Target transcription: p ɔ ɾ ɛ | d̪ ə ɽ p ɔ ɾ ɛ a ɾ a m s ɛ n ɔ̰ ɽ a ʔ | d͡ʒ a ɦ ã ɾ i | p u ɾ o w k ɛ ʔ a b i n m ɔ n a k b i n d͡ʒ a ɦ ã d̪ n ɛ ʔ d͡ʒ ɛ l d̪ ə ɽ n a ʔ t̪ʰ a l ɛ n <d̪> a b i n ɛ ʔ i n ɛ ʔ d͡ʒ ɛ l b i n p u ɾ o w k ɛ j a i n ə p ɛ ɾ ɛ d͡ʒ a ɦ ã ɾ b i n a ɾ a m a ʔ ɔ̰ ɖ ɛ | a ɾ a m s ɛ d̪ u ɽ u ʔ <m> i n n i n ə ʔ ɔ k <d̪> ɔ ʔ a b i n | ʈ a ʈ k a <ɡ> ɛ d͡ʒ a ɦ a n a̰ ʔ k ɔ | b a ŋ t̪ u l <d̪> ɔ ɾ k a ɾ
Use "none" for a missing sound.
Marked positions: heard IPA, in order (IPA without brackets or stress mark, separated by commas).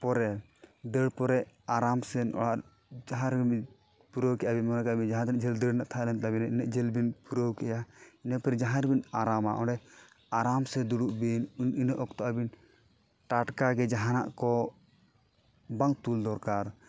t̪, b, t̪, ɡ, d̪